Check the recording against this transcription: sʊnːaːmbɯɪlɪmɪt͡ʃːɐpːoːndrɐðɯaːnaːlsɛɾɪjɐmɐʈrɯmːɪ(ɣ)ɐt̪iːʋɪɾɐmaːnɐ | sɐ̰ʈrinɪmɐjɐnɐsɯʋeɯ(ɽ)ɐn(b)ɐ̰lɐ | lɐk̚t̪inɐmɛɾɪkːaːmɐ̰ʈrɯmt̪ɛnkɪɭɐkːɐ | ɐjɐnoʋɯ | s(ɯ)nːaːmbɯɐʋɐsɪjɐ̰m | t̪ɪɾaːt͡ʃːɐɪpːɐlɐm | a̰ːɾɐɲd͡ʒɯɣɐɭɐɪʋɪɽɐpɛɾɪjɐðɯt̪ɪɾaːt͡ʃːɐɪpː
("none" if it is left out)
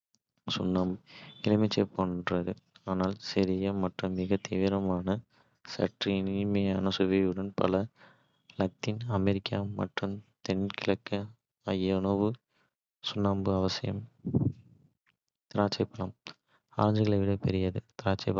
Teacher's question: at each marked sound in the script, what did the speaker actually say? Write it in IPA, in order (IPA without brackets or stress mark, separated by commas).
ɣ, ɽ, p, ʊ